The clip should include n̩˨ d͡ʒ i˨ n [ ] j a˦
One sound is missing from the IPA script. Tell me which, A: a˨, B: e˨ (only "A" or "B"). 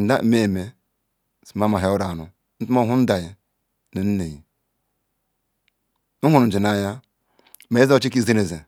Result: A